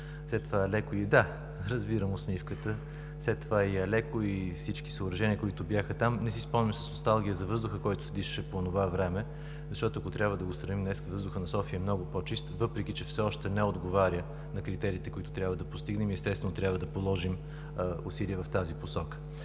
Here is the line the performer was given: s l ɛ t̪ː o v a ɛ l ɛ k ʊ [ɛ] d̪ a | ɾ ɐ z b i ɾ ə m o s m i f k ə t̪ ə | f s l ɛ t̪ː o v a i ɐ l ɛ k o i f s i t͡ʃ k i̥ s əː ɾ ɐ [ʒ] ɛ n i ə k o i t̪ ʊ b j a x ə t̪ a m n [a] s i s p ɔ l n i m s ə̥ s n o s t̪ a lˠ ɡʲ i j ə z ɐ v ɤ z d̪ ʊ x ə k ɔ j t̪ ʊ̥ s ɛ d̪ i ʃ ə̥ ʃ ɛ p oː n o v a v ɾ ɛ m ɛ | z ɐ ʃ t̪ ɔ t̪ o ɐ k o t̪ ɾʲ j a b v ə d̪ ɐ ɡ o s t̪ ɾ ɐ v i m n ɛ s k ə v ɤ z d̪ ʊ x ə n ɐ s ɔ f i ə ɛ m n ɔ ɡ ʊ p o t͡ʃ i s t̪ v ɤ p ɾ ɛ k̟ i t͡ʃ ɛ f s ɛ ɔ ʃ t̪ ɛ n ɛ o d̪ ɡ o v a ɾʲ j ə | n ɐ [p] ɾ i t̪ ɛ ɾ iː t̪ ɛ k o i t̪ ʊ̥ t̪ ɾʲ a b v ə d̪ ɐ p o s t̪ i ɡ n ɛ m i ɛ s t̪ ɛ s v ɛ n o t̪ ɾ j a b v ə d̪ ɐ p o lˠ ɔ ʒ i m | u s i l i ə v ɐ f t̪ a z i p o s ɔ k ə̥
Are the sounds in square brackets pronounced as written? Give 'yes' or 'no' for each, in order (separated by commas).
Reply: no, yes, no, no